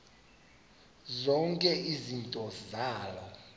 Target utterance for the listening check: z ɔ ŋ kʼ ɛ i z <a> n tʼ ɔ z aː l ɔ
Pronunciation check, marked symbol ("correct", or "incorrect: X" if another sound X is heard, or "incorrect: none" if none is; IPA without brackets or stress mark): incorrect: i